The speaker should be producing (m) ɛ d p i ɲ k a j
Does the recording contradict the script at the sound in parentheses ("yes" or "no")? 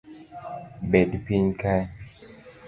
yes